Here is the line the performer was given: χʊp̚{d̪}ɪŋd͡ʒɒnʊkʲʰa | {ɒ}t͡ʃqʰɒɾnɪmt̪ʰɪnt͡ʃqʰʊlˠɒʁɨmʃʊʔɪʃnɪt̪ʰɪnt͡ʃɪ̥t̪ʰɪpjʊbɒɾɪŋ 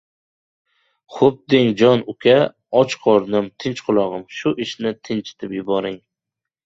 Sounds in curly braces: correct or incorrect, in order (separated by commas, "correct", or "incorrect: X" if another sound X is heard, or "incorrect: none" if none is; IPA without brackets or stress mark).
correct, correct